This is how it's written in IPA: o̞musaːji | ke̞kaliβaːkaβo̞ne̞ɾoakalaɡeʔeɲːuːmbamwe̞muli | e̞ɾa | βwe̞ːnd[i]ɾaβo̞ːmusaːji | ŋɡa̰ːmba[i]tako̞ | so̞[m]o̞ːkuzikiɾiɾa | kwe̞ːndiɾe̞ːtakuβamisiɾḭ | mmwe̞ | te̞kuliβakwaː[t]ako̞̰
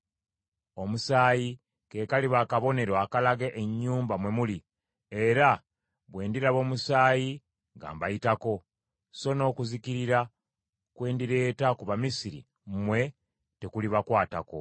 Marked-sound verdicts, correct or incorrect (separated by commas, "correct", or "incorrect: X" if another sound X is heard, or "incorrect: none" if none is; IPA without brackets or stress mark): correct, correct, incorrect: n, correct